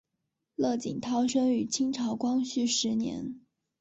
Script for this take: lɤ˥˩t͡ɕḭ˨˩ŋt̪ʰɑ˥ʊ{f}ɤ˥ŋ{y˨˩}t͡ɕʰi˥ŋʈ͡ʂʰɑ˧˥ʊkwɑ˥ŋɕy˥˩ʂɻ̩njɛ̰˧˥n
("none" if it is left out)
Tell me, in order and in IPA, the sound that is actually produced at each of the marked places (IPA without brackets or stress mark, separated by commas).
ʂ, y˨˩